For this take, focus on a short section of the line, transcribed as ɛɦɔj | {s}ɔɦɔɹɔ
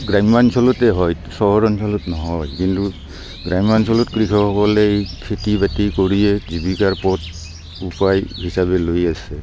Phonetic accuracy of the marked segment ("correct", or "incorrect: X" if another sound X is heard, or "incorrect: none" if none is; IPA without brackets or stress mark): correct